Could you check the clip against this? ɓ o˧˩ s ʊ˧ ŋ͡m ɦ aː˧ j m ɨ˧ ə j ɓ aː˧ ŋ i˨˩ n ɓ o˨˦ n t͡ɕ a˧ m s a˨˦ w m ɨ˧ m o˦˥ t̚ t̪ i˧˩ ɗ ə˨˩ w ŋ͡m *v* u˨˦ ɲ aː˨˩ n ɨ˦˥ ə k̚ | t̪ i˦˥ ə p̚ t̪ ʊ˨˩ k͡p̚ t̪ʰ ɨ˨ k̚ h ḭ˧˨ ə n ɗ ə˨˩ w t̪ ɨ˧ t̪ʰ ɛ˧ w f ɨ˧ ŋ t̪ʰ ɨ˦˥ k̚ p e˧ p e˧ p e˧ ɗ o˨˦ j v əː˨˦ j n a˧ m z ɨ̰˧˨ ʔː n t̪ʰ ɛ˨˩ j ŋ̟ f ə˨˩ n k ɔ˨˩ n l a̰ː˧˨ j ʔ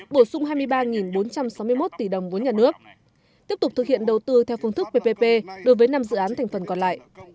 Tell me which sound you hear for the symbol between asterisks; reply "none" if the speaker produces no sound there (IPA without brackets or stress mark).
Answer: v